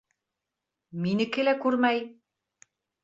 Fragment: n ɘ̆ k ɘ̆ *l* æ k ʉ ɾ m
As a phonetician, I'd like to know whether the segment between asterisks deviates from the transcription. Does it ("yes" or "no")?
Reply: no